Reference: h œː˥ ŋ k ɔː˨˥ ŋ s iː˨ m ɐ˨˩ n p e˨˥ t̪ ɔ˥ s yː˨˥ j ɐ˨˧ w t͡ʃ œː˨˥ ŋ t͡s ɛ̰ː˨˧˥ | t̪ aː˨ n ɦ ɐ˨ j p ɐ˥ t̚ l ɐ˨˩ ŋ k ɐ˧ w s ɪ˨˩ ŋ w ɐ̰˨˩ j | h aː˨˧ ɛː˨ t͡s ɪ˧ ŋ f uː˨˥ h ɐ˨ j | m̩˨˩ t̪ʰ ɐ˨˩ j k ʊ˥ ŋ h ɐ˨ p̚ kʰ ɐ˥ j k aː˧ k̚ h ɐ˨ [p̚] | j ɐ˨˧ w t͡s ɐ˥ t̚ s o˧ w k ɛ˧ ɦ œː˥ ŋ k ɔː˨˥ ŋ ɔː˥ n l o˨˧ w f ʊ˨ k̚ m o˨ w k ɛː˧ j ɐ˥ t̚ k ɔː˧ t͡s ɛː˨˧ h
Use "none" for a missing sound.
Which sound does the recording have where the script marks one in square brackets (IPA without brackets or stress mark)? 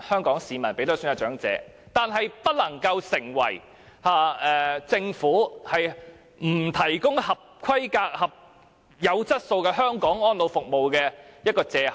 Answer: p̚